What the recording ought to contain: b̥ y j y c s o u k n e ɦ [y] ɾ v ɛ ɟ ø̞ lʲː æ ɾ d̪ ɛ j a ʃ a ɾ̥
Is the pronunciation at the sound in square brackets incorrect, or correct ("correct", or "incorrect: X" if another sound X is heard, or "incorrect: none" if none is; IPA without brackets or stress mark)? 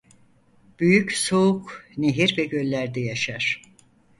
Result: incorrect: i